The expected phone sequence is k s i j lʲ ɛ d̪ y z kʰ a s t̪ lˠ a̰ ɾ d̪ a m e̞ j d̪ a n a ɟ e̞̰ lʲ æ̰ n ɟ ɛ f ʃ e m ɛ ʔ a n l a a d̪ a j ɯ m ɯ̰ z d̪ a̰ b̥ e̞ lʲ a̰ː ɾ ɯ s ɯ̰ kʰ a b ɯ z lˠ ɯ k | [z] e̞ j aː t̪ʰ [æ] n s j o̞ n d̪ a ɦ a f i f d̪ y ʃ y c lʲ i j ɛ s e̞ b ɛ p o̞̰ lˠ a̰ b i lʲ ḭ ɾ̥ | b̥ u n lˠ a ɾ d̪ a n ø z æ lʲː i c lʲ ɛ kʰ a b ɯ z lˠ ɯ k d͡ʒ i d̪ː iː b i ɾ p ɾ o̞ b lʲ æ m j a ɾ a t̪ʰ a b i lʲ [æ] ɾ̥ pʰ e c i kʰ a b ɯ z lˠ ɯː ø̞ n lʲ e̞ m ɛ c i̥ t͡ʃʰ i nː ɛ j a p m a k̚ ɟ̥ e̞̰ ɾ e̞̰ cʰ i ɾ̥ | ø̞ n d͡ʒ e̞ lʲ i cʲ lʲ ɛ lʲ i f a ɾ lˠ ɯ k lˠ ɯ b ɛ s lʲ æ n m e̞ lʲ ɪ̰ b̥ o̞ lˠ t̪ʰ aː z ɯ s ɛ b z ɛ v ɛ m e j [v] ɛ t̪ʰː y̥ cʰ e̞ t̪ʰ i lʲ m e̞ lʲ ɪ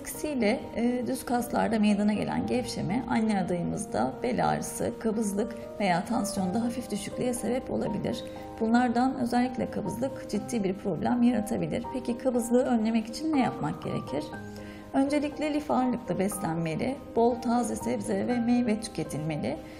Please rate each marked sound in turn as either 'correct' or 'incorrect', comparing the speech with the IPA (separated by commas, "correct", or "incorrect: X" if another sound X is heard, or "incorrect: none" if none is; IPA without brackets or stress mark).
incorrect: v, incorrect: a, incorrect: i, correct